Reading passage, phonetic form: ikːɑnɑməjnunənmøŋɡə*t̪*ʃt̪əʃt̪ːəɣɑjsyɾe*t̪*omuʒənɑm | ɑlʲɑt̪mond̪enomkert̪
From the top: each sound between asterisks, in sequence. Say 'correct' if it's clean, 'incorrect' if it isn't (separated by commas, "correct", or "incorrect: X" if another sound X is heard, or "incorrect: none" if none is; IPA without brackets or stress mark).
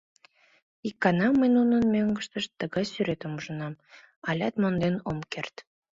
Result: incorrect: none, correct